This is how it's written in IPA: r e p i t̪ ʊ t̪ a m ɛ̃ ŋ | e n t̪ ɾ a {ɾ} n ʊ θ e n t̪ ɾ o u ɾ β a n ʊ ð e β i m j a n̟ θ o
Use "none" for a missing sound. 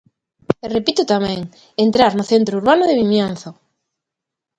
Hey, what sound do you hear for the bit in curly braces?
ɾ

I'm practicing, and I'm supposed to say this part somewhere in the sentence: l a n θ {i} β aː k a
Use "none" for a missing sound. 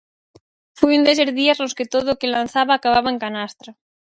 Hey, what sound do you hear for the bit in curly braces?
a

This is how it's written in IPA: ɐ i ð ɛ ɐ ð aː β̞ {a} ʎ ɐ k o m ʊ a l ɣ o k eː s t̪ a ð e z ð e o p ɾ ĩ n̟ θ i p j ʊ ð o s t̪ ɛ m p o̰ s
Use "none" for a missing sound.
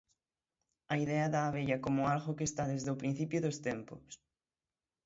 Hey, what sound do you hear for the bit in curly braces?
e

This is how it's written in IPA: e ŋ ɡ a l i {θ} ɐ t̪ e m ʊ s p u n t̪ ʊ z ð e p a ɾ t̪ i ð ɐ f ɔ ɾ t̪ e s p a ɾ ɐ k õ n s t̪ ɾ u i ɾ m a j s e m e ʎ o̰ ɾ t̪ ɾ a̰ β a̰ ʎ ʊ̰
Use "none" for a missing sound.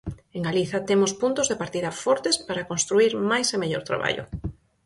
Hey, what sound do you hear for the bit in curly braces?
θ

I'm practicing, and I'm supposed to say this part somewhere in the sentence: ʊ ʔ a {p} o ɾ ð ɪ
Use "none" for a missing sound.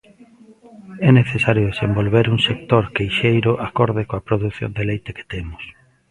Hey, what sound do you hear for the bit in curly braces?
k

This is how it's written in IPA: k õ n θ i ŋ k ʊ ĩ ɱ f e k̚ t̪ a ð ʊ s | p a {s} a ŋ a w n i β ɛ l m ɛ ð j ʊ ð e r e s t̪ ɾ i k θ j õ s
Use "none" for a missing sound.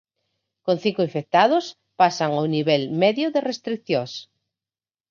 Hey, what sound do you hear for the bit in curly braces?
s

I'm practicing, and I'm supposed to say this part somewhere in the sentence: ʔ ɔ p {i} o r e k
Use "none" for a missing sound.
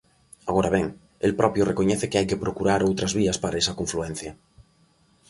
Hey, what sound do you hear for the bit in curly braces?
j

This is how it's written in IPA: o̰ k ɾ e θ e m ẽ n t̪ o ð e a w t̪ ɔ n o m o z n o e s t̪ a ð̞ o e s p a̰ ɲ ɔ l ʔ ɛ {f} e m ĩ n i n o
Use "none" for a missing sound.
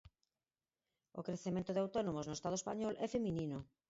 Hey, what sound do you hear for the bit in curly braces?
f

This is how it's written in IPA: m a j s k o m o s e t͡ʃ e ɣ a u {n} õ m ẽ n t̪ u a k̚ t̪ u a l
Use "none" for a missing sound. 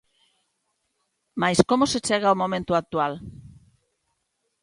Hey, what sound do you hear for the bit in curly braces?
m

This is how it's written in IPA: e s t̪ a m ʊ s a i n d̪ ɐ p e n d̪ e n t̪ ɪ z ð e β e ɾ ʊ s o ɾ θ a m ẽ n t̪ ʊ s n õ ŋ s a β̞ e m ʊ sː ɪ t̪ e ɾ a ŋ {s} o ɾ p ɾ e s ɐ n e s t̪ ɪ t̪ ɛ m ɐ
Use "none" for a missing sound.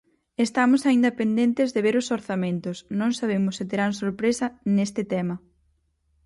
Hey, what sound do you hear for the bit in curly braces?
s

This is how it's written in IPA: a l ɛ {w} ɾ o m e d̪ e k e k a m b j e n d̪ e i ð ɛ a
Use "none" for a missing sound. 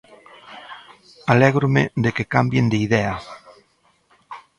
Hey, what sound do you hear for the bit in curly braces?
ɣ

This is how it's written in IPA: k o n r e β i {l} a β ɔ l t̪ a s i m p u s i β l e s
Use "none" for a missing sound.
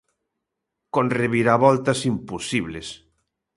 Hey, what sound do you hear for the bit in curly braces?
ɾ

